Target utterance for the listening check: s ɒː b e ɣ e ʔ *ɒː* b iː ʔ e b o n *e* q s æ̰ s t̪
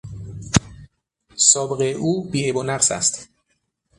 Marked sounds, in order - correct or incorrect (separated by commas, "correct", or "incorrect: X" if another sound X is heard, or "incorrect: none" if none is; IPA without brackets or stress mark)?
incorrect: uː, incorrect: æ